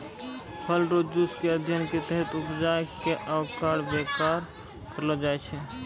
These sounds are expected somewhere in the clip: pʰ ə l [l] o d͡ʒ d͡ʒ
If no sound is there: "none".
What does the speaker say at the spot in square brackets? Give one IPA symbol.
ɾ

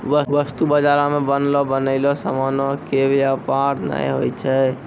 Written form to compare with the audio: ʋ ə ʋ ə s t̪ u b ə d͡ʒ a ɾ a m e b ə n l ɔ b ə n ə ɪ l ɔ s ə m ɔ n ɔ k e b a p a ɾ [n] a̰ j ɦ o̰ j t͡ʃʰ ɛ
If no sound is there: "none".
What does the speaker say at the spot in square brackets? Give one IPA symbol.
n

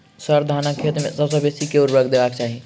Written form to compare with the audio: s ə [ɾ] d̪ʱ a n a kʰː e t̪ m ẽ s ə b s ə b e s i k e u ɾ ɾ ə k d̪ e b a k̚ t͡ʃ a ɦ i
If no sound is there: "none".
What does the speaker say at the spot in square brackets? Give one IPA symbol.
ɾ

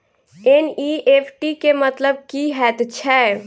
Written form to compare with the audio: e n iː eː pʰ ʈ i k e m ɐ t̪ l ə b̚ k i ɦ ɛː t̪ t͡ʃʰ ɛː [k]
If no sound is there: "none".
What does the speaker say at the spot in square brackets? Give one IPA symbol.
none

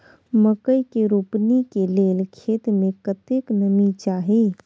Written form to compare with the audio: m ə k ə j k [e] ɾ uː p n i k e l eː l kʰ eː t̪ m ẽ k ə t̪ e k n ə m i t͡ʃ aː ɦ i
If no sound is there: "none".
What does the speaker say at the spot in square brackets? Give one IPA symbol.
e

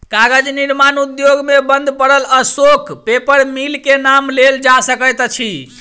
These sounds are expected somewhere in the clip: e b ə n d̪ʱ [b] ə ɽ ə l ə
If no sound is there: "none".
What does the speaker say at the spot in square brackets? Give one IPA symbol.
p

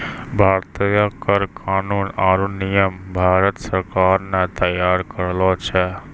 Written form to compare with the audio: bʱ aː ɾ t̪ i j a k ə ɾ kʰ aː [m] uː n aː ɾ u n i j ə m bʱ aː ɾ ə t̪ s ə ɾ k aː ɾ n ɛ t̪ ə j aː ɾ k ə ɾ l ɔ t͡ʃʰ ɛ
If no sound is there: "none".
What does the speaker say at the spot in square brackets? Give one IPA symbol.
n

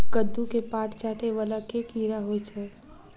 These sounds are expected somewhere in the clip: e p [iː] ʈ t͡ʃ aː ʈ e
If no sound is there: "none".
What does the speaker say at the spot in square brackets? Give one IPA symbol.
aː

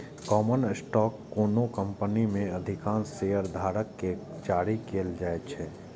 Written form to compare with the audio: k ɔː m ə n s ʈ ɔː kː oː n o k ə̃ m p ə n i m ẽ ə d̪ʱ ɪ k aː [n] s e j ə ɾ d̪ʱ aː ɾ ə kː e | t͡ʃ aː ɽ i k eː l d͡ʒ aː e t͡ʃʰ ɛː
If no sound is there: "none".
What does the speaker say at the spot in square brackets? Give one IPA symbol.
n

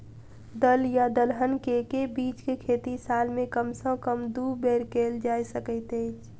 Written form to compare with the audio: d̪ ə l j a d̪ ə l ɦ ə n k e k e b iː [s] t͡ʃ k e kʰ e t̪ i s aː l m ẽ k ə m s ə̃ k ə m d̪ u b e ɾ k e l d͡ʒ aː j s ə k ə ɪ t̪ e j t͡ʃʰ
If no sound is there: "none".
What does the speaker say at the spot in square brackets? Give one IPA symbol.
none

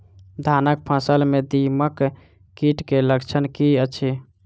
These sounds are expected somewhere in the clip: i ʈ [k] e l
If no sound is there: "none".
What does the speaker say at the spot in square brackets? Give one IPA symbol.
k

